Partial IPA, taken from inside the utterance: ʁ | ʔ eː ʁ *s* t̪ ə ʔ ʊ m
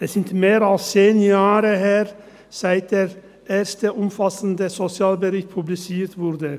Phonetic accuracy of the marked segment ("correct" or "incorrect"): correct